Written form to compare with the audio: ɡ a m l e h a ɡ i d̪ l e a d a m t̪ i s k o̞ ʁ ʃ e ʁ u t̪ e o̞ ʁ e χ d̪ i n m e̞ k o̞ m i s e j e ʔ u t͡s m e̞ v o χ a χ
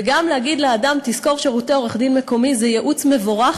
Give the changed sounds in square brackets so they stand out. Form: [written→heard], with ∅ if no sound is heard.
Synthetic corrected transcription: ɡ a m l e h a ɡ i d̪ l e a d a m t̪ i s k o̞ ʁ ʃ e ʁ u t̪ e o̞ ʁ e χ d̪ i n m e̞ k o̞ m i [s→z] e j e ʔ u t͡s m e̞ v o [χ→ʁ] a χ